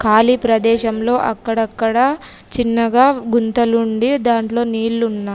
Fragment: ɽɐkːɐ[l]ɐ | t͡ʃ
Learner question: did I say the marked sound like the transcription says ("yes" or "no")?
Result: no